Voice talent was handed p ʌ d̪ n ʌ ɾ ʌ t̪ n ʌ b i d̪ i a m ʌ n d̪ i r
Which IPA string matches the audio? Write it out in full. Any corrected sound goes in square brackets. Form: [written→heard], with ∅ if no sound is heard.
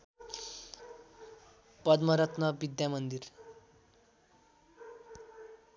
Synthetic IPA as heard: p ʌ d̪ [n→m] ʌ ɾ ʌ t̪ n ʌ b i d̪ [i→j] a m ʌ n d̪ i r